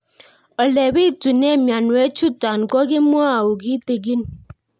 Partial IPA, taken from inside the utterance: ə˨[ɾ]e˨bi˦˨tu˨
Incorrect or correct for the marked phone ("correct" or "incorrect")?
incorrect